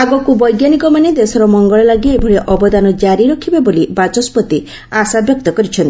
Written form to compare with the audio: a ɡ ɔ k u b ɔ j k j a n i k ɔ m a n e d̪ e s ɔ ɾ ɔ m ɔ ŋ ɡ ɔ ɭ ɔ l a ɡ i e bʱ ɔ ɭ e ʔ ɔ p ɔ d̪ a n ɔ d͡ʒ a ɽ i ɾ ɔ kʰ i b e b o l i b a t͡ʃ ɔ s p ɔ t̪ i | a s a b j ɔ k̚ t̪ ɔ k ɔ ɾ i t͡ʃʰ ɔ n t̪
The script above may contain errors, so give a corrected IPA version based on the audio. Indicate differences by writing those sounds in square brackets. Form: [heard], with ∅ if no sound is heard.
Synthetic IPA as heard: a ɡ ɔ k u b ɔ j [ɡ] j a n i k ɔ m a n e d̪ e s ɔ ɾ ɔ m ɔ ŋ ɡ ɔ ɭ ɔ l a ɡ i e bʱ ɔ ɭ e ʔ ɔ [b] ɔ d̪ a n ɔ d͡ʒ a [ɾ] i ɾ ɔ kʰ i b e b o l i b a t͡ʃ ɔ s p ɔ t̪ i | a s a b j ɔ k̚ t̪ ɔ k ɔ ɾ i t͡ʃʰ ɔ n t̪